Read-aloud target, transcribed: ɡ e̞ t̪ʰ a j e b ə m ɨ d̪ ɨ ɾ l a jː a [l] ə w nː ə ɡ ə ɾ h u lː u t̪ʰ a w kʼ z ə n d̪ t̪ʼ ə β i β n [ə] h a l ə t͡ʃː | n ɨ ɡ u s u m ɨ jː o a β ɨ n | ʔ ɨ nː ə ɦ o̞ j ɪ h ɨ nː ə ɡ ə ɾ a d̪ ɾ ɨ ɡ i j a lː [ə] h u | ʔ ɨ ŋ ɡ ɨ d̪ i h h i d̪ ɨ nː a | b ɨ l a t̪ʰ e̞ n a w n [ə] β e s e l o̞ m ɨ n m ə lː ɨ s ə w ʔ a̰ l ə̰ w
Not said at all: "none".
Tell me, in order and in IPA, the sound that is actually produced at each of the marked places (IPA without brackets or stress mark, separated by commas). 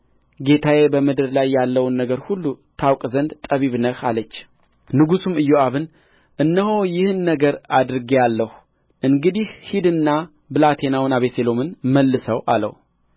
lː, ə, ə, a